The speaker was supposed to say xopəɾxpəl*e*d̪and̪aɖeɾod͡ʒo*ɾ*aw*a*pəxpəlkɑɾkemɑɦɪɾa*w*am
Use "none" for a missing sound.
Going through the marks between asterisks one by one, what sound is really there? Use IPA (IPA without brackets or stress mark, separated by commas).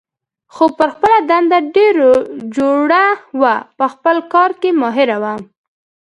a, ɽ, a, w